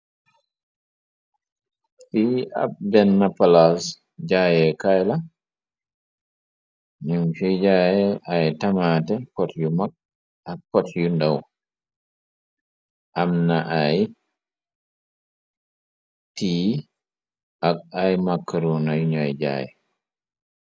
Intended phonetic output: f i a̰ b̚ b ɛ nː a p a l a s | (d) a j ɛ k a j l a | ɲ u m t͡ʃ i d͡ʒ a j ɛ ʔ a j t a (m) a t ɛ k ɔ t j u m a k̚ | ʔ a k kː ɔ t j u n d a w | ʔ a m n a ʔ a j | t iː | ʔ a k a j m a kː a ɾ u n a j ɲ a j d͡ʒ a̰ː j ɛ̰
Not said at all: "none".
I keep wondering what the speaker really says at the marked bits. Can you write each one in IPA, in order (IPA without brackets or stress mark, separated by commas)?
d͡ʒ, m